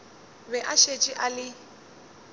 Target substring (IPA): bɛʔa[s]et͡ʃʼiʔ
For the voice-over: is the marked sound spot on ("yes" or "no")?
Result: no